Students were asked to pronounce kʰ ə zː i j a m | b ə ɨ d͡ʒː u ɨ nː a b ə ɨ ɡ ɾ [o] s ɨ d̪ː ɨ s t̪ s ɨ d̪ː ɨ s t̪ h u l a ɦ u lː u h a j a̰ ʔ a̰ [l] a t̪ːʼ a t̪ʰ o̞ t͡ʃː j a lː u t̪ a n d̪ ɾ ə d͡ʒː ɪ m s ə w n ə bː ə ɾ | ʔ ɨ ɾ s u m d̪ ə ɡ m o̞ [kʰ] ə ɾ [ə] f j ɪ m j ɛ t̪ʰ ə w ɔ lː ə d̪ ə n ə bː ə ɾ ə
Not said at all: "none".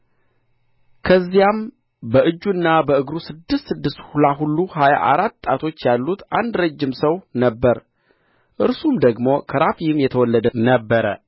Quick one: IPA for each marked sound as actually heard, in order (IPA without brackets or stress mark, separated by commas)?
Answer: u, ɾ, kʰ, a